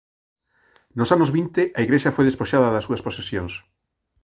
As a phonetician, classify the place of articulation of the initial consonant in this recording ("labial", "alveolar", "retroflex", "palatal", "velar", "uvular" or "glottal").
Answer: alveolar